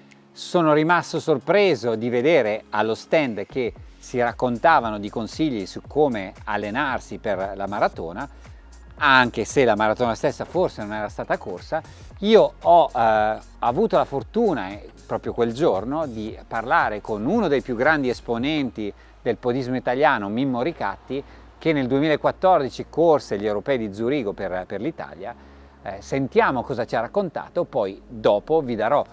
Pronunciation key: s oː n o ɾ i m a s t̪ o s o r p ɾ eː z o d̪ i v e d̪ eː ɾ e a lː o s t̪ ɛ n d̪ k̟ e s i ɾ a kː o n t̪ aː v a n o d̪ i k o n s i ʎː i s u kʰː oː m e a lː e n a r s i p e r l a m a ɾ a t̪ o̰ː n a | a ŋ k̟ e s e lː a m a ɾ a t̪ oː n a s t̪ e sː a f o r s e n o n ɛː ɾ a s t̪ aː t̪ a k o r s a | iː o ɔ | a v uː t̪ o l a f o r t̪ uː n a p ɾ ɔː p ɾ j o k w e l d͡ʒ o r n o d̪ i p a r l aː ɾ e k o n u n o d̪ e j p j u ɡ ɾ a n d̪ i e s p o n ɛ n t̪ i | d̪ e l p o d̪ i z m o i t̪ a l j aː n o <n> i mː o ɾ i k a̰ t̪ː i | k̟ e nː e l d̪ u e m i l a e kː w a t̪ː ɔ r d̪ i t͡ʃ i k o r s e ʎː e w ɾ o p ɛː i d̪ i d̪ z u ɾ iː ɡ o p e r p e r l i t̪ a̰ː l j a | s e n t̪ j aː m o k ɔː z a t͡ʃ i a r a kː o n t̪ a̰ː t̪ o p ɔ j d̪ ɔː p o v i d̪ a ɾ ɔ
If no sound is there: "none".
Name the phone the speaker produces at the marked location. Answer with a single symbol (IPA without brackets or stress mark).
m